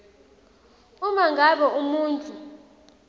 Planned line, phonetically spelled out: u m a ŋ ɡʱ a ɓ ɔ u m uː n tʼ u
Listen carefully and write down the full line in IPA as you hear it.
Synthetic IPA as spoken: u m a ŋ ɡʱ a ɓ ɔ u m uː n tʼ u